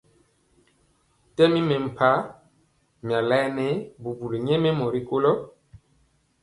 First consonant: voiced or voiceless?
voiceless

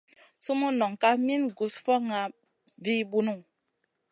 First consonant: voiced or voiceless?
voiceless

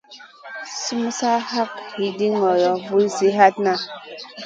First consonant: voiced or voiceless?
voiceless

